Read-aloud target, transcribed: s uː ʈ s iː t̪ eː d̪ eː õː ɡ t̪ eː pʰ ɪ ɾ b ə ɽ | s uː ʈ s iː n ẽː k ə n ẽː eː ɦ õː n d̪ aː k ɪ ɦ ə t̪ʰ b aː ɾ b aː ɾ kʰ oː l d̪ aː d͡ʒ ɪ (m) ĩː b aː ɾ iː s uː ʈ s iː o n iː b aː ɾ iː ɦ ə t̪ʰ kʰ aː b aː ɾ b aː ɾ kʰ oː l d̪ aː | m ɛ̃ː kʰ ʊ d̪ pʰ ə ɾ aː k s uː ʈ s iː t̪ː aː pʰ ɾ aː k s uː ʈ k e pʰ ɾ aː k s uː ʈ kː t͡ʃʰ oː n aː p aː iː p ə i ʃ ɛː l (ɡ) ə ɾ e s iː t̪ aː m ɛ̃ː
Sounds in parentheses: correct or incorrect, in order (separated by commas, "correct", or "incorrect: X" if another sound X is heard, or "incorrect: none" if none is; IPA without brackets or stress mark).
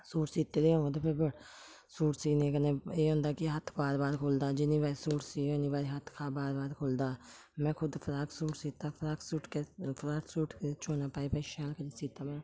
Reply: incorrect: n, incorrect: k